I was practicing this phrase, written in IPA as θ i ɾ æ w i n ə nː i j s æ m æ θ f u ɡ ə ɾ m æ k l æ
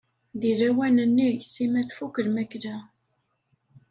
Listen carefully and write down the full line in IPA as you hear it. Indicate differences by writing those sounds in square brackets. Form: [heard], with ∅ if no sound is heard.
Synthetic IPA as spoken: [ð] i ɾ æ w [æ] n ə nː i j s [i] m æ θ f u [k] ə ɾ m æ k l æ